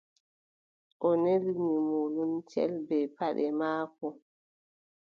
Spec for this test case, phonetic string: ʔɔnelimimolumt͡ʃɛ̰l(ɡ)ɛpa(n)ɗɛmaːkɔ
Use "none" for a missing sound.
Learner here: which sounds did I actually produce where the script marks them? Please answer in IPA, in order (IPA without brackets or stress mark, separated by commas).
b, none